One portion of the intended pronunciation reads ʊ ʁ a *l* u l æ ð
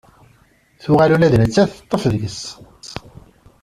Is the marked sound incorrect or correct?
correct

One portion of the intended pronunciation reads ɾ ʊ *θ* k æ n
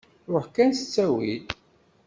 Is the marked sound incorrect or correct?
incorrect: ħ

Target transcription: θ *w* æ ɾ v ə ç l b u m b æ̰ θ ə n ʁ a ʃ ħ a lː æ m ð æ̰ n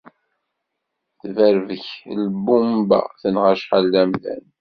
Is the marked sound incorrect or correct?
incorrect: v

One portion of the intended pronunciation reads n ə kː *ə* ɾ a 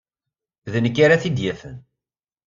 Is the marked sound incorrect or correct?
incorrect: a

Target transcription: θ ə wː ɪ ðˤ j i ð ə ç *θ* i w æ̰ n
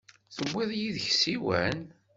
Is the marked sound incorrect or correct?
incorrect: s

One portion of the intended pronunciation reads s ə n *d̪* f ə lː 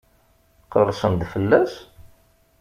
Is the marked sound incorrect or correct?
correct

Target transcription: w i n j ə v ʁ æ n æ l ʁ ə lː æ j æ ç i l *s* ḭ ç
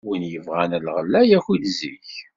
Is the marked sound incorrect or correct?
incorrect: z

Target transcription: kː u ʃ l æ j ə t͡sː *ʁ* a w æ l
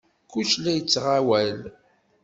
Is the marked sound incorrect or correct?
correct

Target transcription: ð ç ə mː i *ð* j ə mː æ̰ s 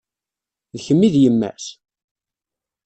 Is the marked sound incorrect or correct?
correct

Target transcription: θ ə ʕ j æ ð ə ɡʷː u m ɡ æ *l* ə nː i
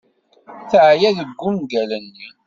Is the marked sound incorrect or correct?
correct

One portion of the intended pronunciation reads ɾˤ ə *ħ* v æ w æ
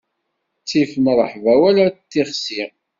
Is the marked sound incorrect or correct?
correct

